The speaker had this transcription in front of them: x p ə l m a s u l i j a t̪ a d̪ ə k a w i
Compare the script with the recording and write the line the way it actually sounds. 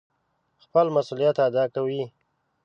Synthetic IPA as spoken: x p ə l m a s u l i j a t̪ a d̪ ɑ k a w i